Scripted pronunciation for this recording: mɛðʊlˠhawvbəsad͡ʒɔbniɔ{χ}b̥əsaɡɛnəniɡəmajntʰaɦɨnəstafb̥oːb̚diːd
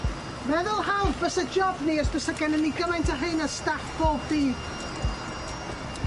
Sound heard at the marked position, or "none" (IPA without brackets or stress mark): s